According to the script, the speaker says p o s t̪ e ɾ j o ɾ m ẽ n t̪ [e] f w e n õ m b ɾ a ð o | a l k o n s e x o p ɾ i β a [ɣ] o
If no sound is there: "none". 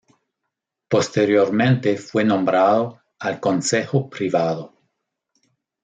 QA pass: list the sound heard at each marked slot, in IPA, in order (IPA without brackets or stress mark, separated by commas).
e, ð